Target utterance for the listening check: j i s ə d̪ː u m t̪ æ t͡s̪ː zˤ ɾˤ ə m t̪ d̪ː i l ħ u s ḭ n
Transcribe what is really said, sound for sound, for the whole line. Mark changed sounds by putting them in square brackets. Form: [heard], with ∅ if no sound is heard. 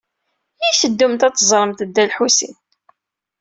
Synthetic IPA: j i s ə d̪ː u m t̪ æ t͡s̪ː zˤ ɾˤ ə m t̪ d̪ː [æ] l ħ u s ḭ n